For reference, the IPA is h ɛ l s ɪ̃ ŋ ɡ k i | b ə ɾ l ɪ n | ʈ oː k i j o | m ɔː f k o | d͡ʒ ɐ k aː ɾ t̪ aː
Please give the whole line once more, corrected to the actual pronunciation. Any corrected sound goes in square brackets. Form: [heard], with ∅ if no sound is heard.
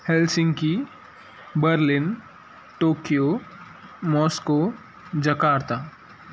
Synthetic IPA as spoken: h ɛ l s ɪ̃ ŋ ɡ k i | b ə ɾ l ɪ n | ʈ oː k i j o | m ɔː [s] k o | d͡ʒ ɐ k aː ɾ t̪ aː